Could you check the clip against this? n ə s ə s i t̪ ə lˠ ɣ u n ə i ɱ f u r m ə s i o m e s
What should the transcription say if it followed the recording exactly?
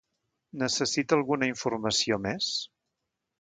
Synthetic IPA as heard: n ə s ə s i t̪ ə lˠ ɣ u n ə i ɱ f u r m ə s i o m e s